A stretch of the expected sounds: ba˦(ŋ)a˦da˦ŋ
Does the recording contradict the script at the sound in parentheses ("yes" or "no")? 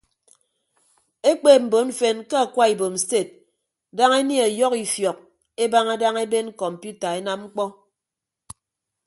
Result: no